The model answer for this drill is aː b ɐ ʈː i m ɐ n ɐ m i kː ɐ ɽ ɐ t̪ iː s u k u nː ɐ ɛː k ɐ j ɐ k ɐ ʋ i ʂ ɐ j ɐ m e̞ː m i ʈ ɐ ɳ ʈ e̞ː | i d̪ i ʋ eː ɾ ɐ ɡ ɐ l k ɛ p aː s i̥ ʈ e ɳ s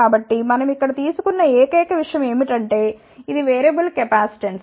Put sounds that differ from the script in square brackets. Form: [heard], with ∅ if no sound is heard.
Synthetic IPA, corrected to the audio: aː b ɐ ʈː i m ɐ n ɐ m i kː ɐ ɽ ɐ t̪ iː s u k u nː ɐ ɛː k ɐ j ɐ k ɐ ʋ i ʂ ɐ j ɐ m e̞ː m i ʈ ɐ ɳ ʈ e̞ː | i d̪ i ʋ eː ɾ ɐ [b] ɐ l k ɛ p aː s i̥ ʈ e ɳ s

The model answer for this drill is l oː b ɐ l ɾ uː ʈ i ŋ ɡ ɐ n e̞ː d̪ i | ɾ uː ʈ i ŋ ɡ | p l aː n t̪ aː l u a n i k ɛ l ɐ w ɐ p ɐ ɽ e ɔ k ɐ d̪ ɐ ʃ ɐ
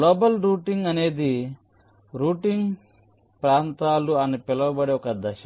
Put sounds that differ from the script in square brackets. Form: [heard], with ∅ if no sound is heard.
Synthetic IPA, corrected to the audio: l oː b ɐ l ɾ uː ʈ i ŋ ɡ ɐ n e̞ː d̪ i | ɾ uː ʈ i ŋ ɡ | p [ɾ] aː n t̪ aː l u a n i [p] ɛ l ɐ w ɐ [b] ɐ ɽ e ɔ k ɐ d̪ ɐ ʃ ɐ

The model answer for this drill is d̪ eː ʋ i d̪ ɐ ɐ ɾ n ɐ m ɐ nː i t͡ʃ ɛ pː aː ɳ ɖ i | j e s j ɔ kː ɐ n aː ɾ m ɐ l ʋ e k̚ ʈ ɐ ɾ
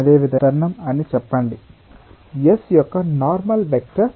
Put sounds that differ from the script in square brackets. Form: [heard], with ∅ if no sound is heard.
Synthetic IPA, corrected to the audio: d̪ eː ʋ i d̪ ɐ ɐ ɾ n ɐ m ɐ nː i t͡ʃ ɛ pː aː ɳ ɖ i | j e s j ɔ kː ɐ n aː ɾ m ɐ l ʋ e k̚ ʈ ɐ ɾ

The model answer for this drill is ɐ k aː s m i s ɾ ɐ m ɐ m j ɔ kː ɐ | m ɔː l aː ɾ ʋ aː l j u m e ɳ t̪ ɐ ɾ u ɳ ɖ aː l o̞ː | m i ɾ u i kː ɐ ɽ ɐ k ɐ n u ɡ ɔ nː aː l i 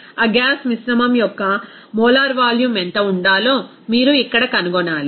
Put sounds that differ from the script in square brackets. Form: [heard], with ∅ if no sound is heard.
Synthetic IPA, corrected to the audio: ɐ [ɡ] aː s m i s ɾ ɐ m ɐ m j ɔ kː ɐ | m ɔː l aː ɾ ʋ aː l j u m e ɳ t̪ ɐ [∅] u ɳ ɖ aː l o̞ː | m [iː] ɾ u i kː ɐ ɽ ɐ k ɐ n u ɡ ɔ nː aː l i

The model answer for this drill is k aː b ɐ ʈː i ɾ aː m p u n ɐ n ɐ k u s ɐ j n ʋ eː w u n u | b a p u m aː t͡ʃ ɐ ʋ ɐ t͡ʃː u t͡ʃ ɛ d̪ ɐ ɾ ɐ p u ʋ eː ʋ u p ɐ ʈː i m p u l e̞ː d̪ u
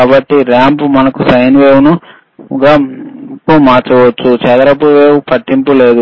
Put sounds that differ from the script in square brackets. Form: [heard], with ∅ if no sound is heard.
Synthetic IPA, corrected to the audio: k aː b ɐ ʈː i ɾ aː m p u [m] ɐ n ɐ k u s ɐ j n ʋ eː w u n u | [ɡ] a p u m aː t͡ʃ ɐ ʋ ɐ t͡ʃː u t͡ʃ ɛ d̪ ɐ ɾ ɐ p u ʋ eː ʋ u p ɐ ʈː i m p u l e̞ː d̪ u

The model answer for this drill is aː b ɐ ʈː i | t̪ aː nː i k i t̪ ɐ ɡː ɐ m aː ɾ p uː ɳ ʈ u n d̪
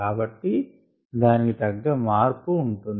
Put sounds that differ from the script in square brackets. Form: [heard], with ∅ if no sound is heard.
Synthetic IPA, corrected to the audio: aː b ɐ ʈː i | [d̪] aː [n] i k i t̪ ɐ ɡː ɐ m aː ɾ p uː ɳ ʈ u n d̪

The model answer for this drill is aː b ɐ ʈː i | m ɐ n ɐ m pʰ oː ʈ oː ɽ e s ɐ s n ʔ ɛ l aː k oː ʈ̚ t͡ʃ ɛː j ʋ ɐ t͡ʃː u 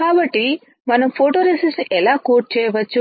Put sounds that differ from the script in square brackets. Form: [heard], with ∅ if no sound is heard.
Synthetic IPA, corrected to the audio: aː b ɐ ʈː i | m ɐ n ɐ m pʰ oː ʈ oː [ɾ] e s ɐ s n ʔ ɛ l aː k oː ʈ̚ t͡ʃ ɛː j ʋ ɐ t͡ʃː u

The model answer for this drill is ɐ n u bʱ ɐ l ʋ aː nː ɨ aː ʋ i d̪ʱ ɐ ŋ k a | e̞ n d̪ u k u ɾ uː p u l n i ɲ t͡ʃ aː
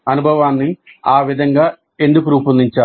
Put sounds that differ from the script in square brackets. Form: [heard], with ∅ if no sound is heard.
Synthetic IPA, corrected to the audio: ɐ n u bʱ ɐ [∅] ʋ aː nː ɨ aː ʋ i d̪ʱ ɐ ŋ [ɡ] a | e̞ n d̪ u k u ɾ uː p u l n i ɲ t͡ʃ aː

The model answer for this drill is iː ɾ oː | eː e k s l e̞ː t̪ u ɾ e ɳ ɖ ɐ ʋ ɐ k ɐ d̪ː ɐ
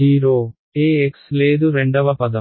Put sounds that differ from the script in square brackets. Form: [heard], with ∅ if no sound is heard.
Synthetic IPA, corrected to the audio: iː ɾ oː | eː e k s l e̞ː [d̪] u ɾ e ɳ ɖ ɐ ʋ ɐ [p] ɐ [d̪] ɐ

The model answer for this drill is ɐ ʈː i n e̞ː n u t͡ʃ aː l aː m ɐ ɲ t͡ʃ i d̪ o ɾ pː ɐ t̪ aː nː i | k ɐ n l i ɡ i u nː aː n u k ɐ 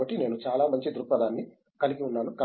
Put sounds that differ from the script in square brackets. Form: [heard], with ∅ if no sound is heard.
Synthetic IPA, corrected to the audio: ɐ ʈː i n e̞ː n u t͡ʃ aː l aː m ɐ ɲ t͡ʃ i d̪ [u] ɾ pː ɐ [d̪] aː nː i | k ɐ [∅] l i ɡ i u nː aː n u k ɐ

